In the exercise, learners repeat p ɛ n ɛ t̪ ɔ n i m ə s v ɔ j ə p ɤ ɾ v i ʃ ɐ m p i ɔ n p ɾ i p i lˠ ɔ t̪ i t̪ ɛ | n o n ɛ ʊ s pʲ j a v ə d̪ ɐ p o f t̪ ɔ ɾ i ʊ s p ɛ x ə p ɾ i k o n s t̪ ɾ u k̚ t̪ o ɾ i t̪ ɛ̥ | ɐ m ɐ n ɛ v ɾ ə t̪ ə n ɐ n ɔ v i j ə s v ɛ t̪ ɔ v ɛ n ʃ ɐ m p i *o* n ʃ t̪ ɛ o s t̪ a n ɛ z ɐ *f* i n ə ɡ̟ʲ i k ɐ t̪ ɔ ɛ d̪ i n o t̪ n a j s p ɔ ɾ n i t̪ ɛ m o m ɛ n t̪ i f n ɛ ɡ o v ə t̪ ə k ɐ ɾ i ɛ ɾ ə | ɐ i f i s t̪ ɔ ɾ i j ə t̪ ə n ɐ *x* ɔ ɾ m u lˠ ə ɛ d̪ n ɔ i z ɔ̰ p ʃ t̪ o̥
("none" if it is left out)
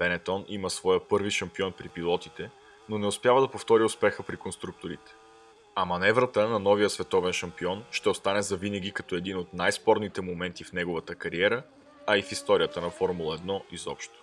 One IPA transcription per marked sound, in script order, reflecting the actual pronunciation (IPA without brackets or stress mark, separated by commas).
ɔ, v, f